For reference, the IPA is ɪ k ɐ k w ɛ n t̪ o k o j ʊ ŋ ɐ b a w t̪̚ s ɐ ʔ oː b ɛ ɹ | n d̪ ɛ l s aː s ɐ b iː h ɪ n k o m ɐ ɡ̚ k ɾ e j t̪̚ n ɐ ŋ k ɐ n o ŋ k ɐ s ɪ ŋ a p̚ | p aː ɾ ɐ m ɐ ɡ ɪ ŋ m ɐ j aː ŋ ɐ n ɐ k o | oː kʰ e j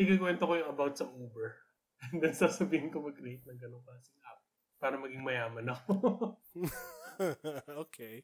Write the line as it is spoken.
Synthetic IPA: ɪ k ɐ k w ɛ n t̪ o k o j ʊ ŋ ɐ b a w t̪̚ s ɐ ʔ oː b ɛ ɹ | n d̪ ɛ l s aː s ɐ b iː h ɪ n k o m ɐ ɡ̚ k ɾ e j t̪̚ n ɐ ŋ ɡ ɐ n o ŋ k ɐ s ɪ ŋ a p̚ | p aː ɾ ɐ m ɐ ɡ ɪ ŋ m ɐ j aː m ɐ n ɐ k o | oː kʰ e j